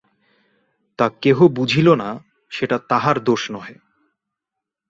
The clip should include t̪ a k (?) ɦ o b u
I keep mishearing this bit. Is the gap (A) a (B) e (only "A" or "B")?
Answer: B